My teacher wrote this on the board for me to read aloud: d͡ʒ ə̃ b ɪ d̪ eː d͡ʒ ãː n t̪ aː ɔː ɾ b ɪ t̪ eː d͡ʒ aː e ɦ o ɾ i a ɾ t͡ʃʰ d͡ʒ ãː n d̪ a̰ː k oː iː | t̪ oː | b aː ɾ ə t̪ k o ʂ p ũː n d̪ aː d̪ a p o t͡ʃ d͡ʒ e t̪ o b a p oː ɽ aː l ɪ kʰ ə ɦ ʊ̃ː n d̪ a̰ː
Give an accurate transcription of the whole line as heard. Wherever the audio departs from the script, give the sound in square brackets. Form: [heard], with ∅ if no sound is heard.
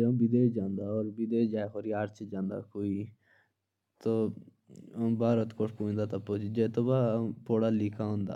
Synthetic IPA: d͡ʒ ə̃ b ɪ d̪ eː d͡ʒ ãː n [d̪] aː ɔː ɾ b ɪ [d̪] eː d͡ʒ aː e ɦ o ɾ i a ɾ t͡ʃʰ d͡ʒ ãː n d̪ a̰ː k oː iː | t̪ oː | b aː ɾ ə t̪ k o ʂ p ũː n d̪ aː [t̪] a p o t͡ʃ d͡ʒ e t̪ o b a p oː ɽ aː l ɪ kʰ [a] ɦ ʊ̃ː n d̪ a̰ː